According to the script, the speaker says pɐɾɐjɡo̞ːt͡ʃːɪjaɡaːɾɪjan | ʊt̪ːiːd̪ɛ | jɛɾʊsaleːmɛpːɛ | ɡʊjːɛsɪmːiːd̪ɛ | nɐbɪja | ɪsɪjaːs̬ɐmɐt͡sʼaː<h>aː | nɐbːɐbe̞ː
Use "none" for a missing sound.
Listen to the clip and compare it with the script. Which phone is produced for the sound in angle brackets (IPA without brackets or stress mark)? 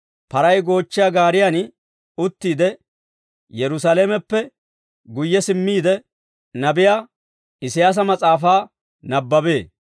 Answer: f